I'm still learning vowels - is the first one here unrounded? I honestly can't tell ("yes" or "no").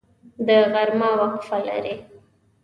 yes